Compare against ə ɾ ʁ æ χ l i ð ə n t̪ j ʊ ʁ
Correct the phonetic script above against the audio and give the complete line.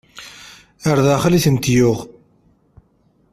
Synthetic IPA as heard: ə ɾ ð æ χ l i θ ə n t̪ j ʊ ʁ

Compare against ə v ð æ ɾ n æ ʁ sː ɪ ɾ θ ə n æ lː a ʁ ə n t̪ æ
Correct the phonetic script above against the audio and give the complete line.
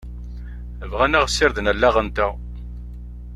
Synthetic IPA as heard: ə v ʁ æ n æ ʁ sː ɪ ɾ ð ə n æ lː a ʁ ə n t̪ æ

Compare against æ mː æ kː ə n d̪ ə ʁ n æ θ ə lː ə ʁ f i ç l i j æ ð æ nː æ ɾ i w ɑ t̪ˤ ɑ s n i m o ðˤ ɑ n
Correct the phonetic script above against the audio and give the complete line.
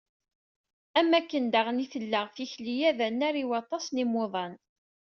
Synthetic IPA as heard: æ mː æ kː ə n d̪ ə ʁ n i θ ə lː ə ʁ f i ç l i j æ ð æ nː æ ɾ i w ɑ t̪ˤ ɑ s n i m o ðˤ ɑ n

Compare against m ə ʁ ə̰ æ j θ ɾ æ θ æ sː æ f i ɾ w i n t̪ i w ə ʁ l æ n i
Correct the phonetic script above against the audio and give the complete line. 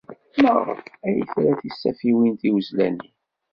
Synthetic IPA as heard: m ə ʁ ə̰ æ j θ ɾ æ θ i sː æ f i w i n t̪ i w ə z l æ n i

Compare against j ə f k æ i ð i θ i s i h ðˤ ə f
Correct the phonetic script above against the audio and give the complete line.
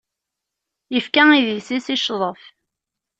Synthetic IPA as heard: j ə f k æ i ð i s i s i ʃ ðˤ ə f

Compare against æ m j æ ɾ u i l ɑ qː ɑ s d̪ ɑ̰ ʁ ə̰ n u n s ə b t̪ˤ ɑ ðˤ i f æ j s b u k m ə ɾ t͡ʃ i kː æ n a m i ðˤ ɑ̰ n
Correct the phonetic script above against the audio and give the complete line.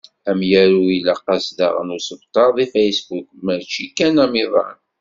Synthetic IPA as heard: æ m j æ ɾ u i l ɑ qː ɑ s d̪ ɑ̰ ʁ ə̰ n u s ə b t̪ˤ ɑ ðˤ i f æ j s b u k m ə ɾ t͡ʃ i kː æ n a m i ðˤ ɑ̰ n

